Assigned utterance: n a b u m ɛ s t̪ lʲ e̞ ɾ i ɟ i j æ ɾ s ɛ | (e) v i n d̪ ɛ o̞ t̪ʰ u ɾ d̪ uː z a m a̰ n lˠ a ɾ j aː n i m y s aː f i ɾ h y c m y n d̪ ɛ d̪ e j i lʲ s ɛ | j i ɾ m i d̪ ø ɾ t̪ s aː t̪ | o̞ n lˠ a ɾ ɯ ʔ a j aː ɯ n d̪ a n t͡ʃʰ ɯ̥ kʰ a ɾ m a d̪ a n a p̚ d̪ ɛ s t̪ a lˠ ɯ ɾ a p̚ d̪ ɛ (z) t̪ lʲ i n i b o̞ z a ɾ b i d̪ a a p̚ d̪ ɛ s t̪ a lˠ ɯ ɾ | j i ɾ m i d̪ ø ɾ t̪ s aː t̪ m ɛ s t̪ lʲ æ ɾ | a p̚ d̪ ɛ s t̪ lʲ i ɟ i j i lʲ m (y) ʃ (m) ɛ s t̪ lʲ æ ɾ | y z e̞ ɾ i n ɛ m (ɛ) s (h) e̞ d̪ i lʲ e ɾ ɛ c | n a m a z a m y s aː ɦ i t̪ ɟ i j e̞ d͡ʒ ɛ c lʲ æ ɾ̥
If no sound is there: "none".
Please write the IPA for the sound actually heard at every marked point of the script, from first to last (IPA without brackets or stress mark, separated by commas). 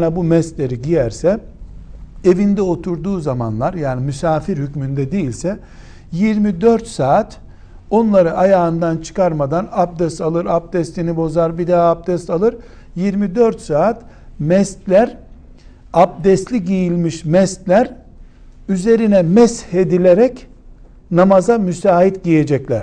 e, s, i, m, ɛ, h